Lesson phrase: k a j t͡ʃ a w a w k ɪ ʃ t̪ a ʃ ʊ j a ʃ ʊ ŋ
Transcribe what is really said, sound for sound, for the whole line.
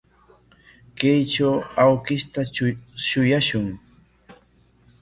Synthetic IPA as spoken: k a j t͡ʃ a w a w k ɪ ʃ t̪ a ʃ ʊ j a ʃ ʊ ŋ